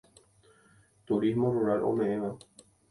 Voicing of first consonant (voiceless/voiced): voiceless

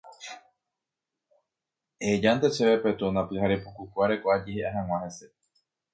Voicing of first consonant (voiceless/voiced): voiced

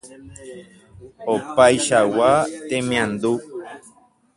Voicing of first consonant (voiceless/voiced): voiceless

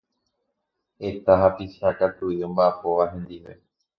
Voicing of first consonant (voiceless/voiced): voiceless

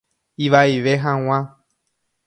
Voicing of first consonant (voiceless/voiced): voiced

